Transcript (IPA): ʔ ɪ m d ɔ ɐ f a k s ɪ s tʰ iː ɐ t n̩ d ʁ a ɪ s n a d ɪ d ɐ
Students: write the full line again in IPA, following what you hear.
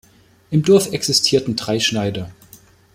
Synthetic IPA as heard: ʔ ɪ m d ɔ ɐ f ɛ k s ɪ s tʰ iː ɐ t n̩ d ʁ a ɪ ʃ n a ɪ d ɐ